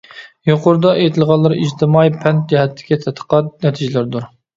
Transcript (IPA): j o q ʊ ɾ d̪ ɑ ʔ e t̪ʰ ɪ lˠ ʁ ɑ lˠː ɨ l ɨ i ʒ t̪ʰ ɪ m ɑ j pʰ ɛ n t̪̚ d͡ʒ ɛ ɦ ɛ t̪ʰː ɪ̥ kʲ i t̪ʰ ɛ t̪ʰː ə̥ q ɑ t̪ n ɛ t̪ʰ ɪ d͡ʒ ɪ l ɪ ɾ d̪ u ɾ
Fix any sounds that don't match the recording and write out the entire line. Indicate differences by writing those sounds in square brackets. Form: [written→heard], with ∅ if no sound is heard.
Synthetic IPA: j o q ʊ ɾ d̪ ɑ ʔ e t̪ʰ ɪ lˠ ʁ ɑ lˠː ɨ [l→ɾ] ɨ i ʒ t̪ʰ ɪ m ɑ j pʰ ɛ n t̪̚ d͡ʒ ɛ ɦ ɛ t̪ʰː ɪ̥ kʲ i t̪ʰ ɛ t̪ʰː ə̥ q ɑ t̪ n ɛ t̪ʰ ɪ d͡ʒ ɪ l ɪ ɾ d̪ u ɾ